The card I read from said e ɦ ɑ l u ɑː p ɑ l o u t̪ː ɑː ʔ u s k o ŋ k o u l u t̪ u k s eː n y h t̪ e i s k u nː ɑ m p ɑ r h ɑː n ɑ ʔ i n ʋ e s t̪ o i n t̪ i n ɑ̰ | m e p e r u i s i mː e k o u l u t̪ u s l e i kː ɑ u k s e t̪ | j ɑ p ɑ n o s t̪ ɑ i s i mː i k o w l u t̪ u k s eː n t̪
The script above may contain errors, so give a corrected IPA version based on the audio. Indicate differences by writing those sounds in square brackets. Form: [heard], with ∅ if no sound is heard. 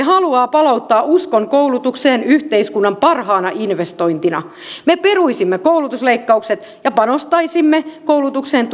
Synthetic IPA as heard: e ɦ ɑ l u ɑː p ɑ l o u t̪ː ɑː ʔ u s k o ŋ k o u l u t̪ u k s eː n y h t̪ e i s k u nː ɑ m p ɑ r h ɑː n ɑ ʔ i n ʋ e s t̪ o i n t̪ i n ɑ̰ | m e p e r u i s i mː e k o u l u t̪ u s l e i kː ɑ u k s e t̪ | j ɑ p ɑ n o s t̪ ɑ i s i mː [e] k o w l u t̪ u k s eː n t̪